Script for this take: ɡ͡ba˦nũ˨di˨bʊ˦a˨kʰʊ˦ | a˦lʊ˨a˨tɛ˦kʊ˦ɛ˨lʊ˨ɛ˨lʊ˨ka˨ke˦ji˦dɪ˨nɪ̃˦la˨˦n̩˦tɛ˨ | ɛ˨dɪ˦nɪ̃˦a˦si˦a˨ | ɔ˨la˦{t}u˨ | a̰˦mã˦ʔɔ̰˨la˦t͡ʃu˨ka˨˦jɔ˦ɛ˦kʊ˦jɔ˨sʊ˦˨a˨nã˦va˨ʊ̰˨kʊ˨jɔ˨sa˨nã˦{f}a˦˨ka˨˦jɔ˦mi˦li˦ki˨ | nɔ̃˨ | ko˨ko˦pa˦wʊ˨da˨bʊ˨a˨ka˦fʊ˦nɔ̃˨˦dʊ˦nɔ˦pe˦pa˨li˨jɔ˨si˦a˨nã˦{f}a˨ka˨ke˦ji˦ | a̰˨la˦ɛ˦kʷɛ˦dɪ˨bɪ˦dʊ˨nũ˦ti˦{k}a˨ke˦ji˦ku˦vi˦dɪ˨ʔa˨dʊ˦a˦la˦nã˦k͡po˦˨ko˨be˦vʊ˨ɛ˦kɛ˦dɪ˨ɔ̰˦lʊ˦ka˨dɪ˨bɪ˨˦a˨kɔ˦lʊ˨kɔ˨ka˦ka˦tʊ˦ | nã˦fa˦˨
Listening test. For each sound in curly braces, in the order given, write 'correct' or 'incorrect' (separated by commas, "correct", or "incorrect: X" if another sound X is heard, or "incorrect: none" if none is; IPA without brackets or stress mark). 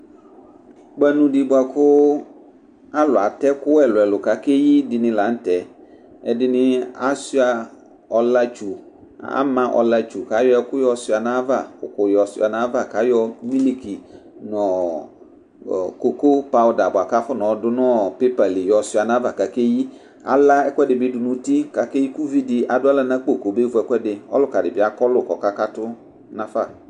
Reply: incorrect: t͡ʃ, incorrect: v, incorrect: v, correct